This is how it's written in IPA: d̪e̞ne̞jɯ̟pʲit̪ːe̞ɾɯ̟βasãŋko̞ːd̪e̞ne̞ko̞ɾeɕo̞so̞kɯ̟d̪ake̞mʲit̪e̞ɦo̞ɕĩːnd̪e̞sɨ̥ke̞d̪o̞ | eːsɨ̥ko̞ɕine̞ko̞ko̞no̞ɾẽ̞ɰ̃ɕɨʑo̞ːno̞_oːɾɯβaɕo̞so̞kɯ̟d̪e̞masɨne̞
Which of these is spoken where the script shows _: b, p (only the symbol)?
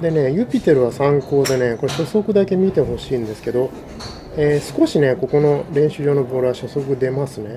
b